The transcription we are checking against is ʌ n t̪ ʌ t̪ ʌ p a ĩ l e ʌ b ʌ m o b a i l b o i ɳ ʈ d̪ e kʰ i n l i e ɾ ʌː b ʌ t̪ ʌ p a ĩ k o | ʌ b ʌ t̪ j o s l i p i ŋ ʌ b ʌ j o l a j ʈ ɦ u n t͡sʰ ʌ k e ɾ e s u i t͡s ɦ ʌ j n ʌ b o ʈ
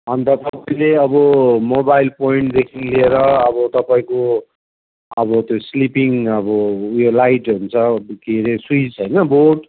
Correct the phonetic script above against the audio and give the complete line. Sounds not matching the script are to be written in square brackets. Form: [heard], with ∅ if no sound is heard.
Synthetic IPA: ʌ n t̪ ʌ t̪ ʌ p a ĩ l e ʌ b ʌ m o b a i l [p] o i ɳ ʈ d̪ e kʰ i n l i e ɾ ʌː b ʌ t̪ ʌ p a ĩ k o | ʌ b ʌ t̪ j o s l i p i ŋ ʌ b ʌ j o l a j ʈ ɦ u n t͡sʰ ʌ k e ɾ e s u i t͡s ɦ ʌ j n ʌ b o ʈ